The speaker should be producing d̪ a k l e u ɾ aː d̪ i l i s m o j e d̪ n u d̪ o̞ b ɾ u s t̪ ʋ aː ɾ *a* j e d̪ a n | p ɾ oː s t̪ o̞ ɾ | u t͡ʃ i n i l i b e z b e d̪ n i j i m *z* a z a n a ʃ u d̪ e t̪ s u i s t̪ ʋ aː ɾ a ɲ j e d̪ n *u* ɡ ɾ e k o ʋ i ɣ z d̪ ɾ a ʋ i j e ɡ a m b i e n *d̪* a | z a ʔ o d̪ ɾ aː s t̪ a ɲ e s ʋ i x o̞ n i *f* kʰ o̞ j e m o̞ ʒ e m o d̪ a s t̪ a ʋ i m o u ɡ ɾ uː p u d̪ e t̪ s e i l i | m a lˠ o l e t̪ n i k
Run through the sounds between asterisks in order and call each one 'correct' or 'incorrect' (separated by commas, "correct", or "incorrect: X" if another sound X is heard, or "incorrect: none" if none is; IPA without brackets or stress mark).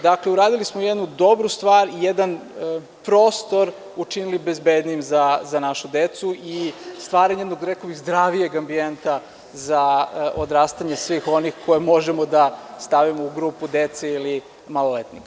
incorrect: i, correct, incorrect: o, incorrect: t̪, incorrect: x